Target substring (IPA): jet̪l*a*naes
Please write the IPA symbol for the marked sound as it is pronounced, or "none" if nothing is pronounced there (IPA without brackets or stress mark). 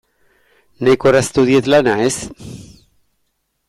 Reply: a